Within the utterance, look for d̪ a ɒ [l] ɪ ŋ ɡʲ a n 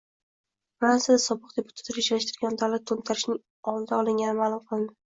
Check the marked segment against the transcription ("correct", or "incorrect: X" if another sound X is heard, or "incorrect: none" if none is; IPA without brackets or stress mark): correct